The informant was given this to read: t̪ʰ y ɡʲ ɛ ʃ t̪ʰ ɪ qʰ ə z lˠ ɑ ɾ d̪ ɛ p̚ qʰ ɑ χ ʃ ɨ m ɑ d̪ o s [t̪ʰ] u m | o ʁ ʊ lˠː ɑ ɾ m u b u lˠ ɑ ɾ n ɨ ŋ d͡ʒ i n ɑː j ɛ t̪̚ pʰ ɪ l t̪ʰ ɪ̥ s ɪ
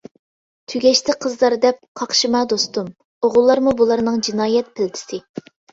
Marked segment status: incorrect: t̪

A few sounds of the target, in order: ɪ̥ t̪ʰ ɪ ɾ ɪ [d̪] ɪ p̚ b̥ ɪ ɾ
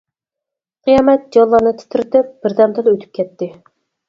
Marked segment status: incorrect: t̪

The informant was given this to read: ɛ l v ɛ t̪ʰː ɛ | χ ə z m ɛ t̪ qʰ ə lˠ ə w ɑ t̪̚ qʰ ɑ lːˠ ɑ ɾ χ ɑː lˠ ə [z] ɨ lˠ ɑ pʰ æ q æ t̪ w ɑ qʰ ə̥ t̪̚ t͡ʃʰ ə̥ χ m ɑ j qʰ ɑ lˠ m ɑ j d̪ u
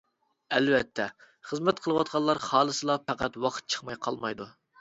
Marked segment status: incorrect: s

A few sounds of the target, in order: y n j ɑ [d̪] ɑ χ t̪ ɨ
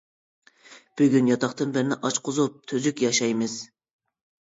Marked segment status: incorrect: t̪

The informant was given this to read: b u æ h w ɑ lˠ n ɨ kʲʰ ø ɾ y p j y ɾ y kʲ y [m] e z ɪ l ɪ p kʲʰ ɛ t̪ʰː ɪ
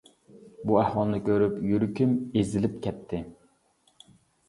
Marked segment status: correct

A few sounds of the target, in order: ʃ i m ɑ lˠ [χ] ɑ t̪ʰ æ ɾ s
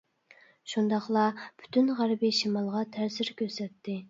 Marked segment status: incorrect: ʁ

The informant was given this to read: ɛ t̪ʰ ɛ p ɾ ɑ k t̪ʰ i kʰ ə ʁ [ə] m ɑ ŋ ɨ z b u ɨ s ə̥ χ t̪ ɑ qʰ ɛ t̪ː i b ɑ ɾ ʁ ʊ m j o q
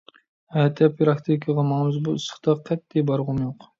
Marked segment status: incorrect: ɑ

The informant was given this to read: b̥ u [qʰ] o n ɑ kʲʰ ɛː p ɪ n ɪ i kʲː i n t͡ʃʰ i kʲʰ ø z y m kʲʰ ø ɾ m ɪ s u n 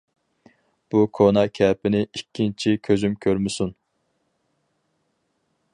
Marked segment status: incorrect: kʰ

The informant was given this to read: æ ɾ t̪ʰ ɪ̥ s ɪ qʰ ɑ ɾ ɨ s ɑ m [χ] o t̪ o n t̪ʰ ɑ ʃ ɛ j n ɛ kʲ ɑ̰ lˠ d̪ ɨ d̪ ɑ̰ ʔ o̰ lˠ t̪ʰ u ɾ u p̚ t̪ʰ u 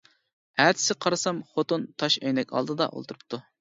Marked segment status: correct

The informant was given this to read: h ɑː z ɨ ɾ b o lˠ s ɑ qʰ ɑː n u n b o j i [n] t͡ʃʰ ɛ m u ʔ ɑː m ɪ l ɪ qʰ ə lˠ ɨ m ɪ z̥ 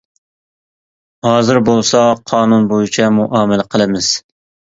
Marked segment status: incorrect: none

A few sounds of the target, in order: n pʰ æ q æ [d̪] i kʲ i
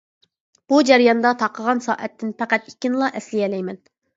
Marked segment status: incorrect: t̪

